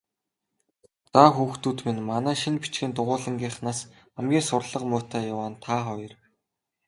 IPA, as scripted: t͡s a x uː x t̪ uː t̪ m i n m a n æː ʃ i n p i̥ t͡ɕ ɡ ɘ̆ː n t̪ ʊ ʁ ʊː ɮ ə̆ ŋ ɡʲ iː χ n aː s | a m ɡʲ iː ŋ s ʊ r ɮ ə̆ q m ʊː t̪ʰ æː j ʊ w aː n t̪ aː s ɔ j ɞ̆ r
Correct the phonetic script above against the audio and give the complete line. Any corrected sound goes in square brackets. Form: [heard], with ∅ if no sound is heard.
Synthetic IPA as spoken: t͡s a x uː x t̪ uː t̪ m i n m a n æː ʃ i n p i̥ t͡ɕ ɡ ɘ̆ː n t̪ ʊ ʁ ʊː ɮ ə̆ ŋ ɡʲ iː χ n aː s | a m ɡʲ iː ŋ s ʊ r ɮ ə̆ q m ʊː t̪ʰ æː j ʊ w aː n [t̪ʰ] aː [χ] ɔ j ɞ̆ r